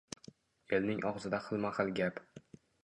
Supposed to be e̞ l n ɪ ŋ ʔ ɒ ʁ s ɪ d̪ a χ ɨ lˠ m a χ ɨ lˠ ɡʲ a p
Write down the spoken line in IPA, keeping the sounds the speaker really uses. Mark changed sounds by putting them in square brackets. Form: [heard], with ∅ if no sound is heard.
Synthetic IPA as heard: e̞ l n ɪ ŋ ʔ ɒ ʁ [z] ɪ d̪ a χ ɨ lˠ m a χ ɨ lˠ ɡʲ a p